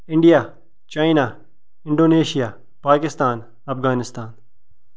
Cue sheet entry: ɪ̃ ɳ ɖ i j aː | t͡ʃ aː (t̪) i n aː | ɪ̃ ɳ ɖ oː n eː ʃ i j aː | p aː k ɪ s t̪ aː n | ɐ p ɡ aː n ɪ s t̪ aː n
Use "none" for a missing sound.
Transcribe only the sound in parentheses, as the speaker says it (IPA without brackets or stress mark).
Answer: none